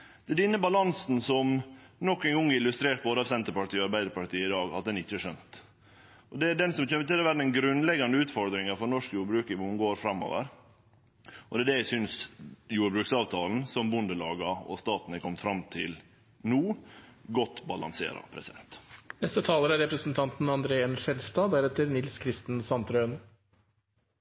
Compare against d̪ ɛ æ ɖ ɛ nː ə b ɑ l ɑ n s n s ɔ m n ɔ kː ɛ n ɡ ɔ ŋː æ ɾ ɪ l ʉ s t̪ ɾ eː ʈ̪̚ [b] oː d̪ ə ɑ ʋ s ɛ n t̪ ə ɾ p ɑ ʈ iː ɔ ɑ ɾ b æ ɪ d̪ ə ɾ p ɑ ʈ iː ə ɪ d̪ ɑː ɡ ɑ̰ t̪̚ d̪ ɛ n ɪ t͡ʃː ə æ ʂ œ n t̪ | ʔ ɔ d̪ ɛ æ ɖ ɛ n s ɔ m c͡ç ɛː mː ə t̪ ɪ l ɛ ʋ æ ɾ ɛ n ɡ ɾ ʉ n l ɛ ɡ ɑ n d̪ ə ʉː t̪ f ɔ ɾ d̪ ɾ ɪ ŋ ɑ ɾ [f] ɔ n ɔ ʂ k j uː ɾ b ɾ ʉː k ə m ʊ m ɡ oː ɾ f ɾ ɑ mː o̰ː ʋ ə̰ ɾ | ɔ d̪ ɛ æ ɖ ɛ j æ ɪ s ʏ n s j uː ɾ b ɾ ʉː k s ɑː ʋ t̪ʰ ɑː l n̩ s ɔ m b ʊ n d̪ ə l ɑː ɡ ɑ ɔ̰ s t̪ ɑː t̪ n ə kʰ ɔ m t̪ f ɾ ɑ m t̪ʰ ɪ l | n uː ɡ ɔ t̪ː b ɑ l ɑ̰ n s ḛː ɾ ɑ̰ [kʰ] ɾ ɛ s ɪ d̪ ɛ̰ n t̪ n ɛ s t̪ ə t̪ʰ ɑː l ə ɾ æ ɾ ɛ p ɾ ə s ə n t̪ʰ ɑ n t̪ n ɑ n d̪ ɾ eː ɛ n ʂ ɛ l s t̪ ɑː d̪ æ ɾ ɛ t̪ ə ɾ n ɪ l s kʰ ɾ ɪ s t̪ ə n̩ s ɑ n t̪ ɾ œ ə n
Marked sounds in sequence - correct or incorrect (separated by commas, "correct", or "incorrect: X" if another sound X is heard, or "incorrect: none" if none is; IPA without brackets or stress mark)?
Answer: correct, correct, incorrect: pʰ